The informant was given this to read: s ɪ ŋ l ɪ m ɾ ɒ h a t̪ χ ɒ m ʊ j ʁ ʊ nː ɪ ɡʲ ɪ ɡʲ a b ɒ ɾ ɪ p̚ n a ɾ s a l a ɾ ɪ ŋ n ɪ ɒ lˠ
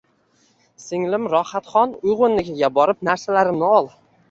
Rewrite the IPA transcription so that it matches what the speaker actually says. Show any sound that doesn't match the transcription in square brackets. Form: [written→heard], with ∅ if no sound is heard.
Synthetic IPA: s ɪ ŋ l ɪ m ɾ ɒ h a t̪ χ ɒ [m→n] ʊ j ʁ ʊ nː ɪ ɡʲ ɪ ɡʲ a b ɒ ɾ ɪ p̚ n a ɾ s a l a ɾ ɪ [ŋ→m] n ɪ ɒ lˠ